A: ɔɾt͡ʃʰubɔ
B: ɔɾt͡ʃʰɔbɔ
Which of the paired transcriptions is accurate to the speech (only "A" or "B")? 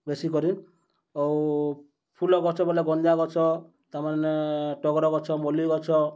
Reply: B